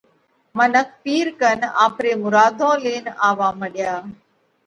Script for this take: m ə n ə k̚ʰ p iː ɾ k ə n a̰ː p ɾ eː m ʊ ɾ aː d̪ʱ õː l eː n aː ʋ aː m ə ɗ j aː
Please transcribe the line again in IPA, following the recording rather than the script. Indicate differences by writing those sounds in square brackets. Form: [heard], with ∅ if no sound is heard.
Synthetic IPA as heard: m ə n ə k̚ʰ p iː ɾ k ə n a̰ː p ɾ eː m ʊ ɾ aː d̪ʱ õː l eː n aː ʋ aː m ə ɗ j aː

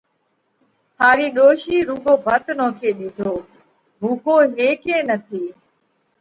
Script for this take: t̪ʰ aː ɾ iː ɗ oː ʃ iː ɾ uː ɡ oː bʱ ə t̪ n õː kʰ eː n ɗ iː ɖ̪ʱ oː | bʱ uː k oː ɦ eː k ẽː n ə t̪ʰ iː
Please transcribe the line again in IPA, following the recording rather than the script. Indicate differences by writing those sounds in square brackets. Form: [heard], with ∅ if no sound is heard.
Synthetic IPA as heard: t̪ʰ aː ɾ iː ɗ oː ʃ iː ɾ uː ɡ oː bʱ ə t̪ n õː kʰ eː [∅] ɗ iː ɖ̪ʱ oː | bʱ uː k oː ɦ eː k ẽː n ə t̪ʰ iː

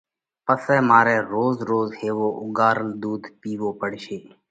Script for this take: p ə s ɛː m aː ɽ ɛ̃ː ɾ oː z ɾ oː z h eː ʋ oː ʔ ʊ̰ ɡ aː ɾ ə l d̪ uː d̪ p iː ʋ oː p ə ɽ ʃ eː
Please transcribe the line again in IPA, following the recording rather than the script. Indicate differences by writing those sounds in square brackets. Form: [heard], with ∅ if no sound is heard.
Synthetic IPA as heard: p ə s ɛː m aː [ɾ] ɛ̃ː ɾ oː z ɾ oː z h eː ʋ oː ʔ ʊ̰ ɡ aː ɾ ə l d̪ uː d̪ p iː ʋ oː p ə ɽ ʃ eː

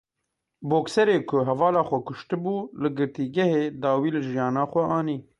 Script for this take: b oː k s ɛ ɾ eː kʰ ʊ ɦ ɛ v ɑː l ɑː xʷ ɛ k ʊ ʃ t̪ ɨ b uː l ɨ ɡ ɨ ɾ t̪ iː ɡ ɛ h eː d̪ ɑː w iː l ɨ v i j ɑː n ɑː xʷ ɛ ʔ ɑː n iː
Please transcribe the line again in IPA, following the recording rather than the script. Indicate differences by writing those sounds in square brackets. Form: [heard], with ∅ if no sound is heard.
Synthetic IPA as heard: b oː k s ɛ ɾ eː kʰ ʊ ɦ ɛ v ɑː l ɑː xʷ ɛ k ʊ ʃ t̪ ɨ b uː l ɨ ɡ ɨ ɾ t̪ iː ɡ ɛ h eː d̪ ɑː w iː l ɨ [ʒ] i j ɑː n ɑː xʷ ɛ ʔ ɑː n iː

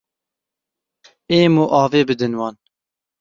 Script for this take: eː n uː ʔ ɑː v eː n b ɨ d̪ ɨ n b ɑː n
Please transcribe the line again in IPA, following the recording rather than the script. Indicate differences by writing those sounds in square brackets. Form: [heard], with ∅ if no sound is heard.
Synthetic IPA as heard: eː [m] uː ʔ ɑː v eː [∅] b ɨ d̪ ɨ n [w] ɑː n

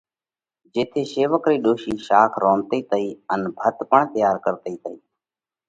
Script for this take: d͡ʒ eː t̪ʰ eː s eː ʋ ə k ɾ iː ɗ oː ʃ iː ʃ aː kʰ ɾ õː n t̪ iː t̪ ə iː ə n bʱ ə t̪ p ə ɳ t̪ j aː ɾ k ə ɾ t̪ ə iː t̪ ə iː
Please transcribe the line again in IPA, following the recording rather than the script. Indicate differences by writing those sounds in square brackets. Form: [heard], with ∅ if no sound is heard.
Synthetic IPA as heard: d͡ʒ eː t̪ʰ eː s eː ʋ ə k ɾ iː ɗ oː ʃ iː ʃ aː kʰ ɾ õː n t̪ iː t̪ ə iː ə n bʱ ə t̪ p ə ɳ t̪ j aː ɾ k ə ɾ t̪ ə iː t̪ ə iː

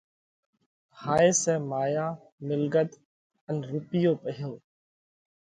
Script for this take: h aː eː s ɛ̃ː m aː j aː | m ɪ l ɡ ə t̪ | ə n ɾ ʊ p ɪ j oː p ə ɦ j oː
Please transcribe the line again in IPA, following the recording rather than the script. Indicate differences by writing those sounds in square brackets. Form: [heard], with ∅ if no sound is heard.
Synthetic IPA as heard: h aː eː s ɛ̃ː m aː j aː | m ɪ l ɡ ə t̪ | ə n ɾ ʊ p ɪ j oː p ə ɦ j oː

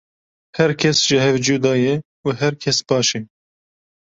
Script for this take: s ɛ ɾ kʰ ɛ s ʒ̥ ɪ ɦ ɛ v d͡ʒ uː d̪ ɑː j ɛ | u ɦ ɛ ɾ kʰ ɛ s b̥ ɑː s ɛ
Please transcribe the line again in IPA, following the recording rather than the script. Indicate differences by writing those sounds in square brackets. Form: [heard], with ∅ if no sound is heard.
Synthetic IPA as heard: [h] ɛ ɾ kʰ ɛ s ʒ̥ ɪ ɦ ɛ v d͡ʒ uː d̪ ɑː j ɛ | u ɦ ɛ ɾ kʰ ɛ s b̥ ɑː [ʃ] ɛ

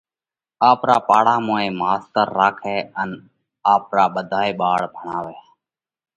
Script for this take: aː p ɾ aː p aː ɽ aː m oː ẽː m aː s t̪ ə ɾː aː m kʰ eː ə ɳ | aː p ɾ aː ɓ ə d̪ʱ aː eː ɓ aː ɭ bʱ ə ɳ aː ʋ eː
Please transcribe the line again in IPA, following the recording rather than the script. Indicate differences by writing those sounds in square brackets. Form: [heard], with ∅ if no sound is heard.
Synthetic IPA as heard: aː p ɾ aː p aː ɽ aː m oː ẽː m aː s t̪ ə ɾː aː [∅] kʰ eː ə [n] | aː p ɾ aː ɓ ə d̪ʱ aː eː ɓ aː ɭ bʱ ə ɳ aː ʋ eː

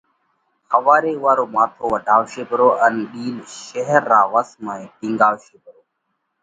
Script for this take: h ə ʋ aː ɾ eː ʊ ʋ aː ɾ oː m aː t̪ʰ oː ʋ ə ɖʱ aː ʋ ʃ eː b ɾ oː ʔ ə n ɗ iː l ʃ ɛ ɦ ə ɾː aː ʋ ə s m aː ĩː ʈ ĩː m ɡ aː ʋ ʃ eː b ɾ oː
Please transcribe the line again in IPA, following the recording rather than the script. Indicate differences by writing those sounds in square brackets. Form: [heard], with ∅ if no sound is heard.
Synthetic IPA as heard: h ə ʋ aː ɾ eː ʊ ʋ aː ɾ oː m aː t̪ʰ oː ʋ ə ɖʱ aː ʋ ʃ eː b ɾ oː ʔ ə n ɗ iː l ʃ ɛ ɦ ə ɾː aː ʋ ə s m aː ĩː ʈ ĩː [ŋ] ɡ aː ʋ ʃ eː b ɾ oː

